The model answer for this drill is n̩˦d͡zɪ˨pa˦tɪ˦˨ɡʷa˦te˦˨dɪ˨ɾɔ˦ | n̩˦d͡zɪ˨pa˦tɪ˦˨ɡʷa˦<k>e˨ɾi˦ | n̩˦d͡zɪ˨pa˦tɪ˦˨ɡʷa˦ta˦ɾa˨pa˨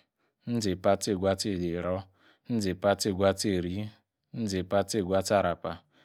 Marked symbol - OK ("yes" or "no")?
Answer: no